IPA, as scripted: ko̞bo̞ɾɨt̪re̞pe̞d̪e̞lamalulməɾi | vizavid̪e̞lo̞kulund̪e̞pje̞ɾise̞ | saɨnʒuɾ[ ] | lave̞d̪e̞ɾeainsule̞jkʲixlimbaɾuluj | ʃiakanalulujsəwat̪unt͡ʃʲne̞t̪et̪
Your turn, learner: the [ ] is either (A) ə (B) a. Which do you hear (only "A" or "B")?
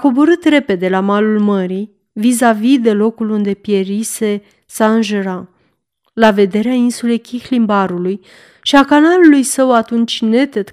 B